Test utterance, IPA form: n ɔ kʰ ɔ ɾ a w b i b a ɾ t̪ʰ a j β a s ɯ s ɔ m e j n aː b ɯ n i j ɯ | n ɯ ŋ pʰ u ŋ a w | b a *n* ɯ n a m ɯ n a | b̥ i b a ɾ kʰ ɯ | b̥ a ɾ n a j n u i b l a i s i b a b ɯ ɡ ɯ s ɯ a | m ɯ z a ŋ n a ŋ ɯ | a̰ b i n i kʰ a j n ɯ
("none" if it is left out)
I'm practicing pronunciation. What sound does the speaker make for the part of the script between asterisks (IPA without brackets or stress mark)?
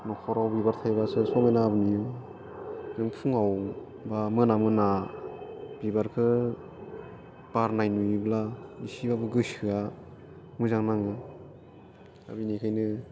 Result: m